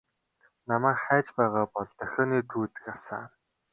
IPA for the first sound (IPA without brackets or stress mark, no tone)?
n